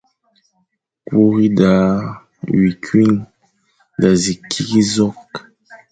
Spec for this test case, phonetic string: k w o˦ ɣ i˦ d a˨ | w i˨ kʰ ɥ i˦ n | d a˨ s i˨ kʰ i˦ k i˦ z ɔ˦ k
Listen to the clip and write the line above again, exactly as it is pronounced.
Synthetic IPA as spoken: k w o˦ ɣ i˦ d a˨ | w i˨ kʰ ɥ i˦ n | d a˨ z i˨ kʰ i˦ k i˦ z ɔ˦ k